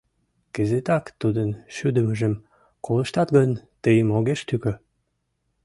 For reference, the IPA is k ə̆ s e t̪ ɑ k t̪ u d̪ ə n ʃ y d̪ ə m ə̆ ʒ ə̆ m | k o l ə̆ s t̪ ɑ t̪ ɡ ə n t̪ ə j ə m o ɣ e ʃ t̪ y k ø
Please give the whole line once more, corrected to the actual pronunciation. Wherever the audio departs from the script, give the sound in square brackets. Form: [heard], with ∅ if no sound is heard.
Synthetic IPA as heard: k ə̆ [z] e t̪ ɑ k t̪ u d̪ ə n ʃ y d̪ ə m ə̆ ʒ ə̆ m | k o l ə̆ [ʃ] t̪ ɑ t̪ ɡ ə n t̪ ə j ə m o ɣ e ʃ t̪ y k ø